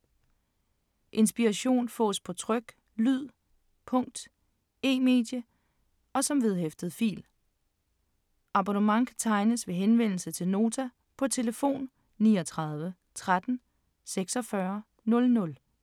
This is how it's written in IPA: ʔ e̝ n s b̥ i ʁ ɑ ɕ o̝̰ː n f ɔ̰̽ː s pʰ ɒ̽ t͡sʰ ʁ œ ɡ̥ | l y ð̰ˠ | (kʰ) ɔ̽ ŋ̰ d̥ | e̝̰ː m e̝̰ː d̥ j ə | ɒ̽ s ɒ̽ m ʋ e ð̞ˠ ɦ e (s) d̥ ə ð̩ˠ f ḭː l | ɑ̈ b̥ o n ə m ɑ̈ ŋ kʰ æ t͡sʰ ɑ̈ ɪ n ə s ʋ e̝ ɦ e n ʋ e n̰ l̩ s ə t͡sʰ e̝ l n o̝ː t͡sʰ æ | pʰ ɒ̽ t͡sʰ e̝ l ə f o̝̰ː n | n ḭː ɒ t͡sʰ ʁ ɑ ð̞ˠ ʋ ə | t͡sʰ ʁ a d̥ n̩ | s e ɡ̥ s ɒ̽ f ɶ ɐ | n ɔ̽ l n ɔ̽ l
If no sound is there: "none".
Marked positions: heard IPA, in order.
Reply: pʰ, f

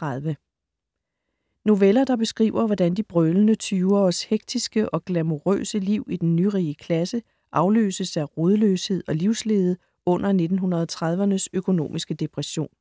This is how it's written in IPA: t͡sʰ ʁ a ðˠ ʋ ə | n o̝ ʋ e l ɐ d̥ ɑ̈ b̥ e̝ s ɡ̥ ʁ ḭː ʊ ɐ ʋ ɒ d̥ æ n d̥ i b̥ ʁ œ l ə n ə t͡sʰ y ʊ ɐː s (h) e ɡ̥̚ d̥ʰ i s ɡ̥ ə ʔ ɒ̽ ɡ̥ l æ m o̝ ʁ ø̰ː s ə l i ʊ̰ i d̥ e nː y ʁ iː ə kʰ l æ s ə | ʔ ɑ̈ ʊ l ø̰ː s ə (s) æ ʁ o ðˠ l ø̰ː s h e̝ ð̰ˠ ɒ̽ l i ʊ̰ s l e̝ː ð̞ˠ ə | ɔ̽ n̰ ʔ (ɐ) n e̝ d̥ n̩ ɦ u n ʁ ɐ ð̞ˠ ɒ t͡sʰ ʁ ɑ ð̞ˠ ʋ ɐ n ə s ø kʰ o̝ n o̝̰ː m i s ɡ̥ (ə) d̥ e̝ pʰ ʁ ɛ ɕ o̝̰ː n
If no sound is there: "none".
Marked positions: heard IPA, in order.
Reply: h, s, ɐ, ə

